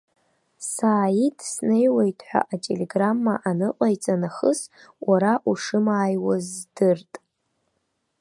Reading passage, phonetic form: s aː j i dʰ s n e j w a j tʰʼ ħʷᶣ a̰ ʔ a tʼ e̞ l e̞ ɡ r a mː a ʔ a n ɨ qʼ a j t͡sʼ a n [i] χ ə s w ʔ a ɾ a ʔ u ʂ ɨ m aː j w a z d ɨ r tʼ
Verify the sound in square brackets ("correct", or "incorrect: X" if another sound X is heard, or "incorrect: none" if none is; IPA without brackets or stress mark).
incorrect: a